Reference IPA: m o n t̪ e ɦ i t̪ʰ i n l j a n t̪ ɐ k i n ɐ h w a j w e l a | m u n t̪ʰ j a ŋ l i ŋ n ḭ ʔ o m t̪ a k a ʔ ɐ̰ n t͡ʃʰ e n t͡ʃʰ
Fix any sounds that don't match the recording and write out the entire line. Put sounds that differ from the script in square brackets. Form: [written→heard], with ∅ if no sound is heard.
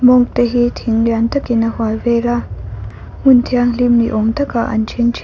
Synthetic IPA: m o [n→ŋ] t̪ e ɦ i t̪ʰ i [n→ŋ] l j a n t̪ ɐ k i n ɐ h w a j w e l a | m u n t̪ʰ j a ŋ l i [ŋ→m] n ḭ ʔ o [m→ŋ] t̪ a k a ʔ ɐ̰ n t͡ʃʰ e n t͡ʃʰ